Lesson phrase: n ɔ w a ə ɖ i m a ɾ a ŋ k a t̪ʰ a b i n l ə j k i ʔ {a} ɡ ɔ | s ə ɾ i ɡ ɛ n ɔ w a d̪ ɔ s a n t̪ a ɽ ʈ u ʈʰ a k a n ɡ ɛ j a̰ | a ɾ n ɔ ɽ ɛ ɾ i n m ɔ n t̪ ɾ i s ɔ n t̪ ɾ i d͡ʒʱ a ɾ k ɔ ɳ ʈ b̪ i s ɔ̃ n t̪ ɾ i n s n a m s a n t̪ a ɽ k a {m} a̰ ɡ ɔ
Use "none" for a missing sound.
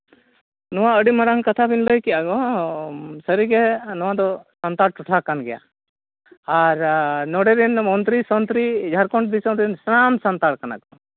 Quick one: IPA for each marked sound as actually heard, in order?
a, n

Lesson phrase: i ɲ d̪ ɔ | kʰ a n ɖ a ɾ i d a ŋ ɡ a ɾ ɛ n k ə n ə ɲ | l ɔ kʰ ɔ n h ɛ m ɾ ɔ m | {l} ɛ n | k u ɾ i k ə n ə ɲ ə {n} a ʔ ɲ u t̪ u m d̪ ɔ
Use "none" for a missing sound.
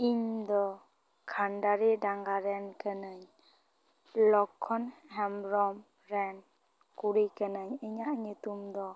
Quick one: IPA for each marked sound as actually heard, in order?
ɾ, ɲ

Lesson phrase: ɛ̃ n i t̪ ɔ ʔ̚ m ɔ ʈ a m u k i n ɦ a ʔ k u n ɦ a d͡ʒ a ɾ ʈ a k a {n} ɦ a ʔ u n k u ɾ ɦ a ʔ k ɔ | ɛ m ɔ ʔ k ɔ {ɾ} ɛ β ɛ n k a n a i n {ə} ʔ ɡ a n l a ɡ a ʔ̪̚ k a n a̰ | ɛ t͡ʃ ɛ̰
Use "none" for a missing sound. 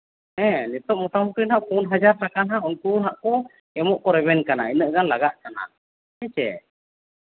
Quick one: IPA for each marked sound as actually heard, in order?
n, ɾ, ə

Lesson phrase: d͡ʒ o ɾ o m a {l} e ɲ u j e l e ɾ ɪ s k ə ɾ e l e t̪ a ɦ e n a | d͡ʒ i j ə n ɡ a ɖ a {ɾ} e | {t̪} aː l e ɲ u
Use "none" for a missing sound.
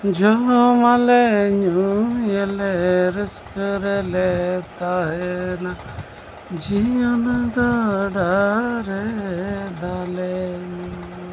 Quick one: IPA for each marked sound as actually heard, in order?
l, ɾ, d̪

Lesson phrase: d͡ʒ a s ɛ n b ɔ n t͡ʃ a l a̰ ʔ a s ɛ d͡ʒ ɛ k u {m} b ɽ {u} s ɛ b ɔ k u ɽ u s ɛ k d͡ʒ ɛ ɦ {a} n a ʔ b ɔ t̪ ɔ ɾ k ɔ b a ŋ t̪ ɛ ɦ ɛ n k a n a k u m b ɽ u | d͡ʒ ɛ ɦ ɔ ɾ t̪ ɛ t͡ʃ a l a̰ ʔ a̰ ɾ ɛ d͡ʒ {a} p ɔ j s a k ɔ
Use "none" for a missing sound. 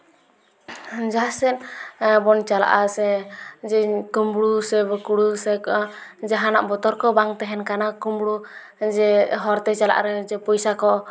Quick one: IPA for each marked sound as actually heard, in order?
m, u, a, ɛ

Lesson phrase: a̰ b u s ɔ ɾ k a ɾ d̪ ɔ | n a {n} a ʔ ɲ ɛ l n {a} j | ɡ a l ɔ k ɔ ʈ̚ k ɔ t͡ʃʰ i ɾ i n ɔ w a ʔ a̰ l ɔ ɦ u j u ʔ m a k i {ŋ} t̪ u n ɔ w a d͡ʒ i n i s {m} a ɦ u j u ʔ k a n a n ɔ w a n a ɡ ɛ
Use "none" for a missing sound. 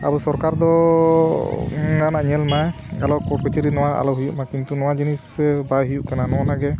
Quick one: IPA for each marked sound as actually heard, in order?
n, a, n, b

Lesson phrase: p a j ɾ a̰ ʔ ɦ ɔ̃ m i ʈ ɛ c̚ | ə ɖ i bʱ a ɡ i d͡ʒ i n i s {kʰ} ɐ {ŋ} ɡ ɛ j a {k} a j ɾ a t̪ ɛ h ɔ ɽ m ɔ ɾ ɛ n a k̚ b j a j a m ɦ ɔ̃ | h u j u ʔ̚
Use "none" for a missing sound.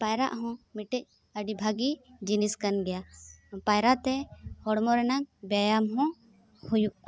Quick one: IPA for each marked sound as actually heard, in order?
k, n, p

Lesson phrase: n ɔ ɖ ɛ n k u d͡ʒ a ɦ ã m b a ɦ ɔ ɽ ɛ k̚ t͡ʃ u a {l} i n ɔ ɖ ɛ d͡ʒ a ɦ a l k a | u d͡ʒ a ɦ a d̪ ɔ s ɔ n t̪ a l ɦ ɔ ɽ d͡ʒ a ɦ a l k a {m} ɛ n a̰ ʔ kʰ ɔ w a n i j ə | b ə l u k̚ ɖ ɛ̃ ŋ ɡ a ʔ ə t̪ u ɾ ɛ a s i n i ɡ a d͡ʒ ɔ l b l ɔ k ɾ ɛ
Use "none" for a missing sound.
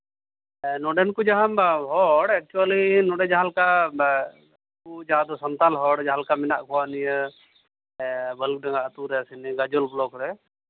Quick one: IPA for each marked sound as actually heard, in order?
l, m

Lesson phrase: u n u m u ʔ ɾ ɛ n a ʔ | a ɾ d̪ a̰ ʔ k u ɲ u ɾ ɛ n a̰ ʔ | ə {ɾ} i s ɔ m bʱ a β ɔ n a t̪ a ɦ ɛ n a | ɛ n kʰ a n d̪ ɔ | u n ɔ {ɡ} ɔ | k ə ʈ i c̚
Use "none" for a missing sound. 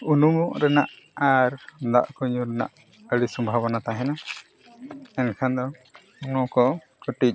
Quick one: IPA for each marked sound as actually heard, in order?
ɽ, k

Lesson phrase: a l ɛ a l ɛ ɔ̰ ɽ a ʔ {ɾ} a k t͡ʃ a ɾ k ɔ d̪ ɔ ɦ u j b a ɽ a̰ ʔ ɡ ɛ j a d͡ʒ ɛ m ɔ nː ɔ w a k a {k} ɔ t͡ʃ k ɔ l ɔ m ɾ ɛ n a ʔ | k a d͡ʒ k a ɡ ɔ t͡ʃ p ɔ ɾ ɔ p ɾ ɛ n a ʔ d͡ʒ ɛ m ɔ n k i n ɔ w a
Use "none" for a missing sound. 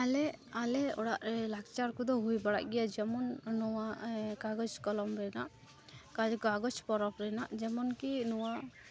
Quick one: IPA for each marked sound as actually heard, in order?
l, ɡ

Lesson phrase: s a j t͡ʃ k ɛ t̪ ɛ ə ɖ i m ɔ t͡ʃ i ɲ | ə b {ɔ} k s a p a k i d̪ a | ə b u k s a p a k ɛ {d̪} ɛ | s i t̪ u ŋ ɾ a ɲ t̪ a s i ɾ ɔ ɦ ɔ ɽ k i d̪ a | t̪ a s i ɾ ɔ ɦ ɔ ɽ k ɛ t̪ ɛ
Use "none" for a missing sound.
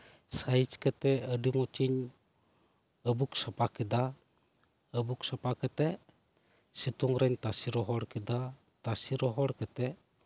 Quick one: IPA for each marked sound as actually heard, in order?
u, t̪

